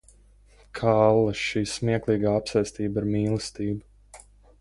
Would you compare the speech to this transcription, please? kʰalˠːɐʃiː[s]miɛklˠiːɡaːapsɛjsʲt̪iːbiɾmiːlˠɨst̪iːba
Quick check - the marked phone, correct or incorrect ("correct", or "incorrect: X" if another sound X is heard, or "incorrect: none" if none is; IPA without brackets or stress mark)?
correct